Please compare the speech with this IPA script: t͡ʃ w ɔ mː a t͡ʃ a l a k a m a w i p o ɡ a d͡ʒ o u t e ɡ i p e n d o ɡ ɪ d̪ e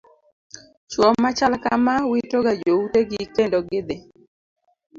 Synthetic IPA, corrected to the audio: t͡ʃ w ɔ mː a t͡ʃ a l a k a m a w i t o ɡ a d͡ʒ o u t e ɡ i k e n d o ɡ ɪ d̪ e